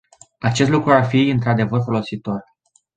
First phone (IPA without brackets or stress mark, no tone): a